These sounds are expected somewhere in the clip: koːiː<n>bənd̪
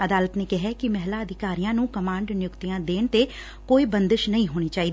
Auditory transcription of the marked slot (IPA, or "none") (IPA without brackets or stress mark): none